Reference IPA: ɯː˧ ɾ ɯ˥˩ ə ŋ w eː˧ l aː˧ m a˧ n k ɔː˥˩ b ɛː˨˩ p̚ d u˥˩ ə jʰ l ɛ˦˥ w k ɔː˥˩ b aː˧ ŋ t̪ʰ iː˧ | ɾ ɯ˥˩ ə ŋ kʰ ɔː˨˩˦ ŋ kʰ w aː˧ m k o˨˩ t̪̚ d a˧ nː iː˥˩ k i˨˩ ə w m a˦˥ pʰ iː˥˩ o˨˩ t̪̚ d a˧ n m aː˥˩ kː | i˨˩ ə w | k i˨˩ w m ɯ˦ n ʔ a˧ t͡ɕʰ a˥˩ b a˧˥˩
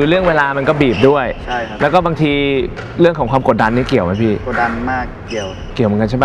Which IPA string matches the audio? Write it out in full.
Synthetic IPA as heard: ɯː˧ ɾ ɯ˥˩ ə ŋ w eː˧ l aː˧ m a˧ n k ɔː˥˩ b iː˨˩ p̚ d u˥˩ ə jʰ l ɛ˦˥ w k ɔː˥˩ b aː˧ ŋ t̪ʰ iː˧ | ɾ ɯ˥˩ ə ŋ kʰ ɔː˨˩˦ ŋ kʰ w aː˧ m k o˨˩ t̪̚ d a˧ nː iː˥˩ k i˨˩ ə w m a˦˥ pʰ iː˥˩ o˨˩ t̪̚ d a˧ n m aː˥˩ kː | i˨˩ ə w | k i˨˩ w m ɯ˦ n k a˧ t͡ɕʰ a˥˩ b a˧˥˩